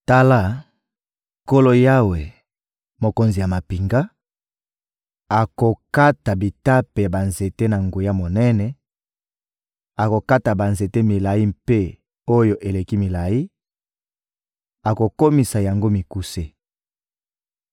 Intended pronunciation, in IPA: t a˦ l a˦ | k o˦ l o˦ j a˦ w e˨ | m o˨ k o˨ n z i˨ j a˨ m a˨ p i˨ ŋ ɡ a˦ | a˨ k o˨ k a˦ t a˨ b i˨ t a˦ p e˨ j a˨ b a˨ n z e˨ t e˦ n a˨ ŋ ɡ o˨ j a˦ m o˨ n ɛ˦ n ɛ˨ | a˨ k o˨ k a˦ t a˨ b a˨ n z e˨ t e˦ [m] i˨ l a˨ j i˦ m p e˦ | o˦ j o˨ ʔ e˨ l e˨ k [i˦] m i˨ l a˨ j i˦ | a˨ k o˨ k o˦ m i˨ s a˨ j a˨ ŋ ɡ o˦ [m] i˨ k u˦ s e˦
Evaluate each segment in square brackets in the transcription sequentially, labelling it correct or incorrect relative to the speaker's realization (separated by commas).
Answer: correct, correct, correct